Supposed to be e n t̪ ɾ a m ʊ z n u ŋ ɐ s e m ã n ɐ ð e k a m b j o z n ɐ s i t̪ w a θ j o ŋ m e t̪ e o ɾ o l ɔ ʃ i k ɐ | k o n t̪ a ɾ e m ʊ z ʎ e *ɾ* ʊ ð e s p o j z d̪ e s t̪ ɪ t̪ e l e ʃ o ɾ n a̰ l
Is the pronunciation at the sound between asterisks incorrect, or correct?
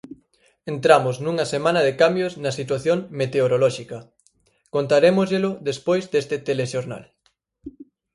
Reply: incorrect